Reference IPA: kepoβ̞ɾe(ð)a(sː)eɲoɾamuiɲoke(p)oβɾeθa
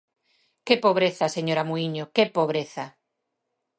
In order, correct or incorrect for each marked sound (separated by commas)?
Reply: incorrect, incorrect, correct